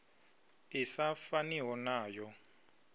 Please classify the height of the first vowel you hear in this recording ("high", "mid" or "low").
high